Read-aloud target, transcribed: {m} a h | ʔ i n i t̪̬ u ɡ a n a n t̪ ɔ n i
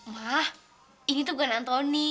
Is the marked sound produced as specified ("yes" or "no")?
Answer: yes